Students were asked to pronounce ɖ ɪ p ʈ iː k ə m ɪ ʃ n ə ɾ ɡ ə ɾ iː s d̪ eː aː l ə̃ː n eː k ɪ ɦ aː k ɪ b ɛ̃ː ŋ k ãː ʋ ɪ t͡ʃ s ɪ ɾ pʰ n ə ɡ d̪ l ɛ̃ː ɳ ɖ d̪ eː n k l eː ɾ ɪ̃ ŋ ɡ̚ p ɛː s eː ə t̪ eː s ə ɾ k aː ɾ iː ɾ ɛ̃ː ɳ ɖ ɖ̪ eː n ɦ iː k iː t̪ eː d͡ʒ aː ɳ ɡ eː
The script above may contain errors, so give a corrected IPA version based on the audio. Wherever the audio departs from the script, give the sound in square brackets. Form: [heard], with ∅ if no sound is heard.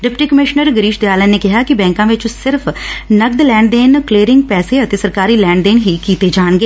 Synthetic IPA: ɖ ɪ p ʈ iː k ə m ɪ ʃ n ə ɾ ɡ ə ɾ iː [ʃ] d̪ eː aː l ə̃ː n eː k ɪ ɦ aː k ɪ b ɛ̃ː ŋ k ãː ʋ ɪ t͡ʃ s ɪ ɾ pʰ n ə ɡ d̪ l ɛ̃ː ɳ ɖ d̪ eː n k l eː ɾ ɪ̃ ŋ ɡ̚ p ɛː s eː ə t̪ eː s ə ɾ k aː ɾ iː [l] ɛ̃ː ɳ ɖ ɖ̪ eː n ɦ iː k iː t̪ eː d͡ʒ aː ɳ ɡ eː